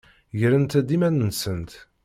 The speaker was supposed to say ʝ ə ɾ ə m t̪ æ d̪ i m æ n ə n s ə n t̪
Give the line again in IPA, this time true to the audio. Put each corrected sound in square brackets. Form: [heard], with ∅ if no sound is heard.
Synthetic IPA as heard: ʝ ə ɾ ə [n] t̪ æ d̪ i m æ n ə n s ə n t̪